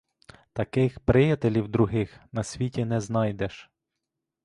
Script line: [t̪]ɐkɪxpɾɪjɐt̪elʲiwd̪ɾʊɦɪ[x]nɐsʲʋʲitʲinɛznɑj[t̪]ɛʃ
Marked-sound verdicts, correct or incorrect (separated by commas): correct, correct, incorrect